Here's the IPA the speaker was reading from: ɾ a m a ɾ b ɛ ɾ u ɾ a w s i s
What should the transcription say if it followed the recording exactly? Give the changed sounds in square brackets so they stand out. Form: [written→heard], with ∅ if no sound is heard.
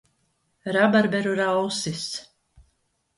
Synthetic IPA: ɾ a [m→b] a ɾ b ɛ ɾ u ɾ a w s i s